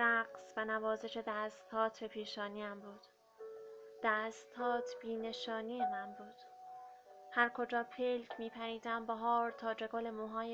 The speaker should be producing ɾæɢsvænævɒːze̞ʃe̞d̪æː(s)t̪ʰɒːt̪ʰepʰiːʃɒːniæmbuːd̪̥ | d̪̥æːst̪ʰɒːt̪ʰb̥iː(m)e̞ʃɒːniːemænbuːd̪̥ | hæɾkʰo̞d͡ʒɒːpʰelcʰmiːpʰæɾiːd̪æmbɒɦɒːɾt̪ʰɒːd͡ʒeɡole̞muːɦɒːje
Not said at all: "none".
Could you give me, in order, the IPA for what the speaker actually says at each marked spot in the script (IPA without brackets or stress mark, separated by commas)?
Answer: s, n